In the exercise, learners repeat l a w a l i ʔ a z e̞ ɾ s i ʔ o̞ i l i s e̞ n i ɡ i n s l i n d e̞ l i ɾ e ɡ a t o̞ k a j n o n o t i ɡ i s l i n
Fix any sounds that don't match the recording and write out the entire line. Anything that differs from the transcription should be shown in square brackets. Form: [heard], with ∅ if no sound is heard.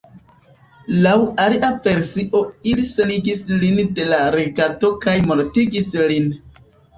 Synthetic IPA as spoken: l a w a l i ʔ a [v] e̞ ɾ s i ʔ o̞ i l i s e̞ n i ɡ i [∅] s l i n d e̞ l [a] ɾ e ɡ a t o̞ k a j [m] o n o t i ɡ i s l i n